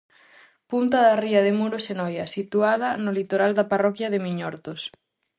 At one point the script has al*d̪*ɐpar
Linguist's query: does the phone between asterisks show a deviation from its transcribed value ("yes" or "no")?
no